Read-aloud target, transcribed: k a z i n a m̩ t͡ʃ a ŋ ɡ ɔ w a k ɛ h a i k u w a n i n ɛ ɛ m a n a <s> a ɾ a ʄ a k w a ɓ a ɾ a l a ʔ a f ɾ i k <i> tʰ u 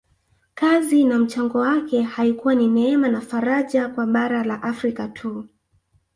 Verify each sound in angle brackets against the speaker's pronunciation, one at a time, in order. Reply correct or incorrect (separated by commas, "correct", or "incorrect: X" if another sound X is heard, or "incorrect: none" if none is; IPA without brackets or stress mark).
incorrect: f, incorrect: a